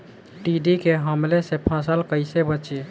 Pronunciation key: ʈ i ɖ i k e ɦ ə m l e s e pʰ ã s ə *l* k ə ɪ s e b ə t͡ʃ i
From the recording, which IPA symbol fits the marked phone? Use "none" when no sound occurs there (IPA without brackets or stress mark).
l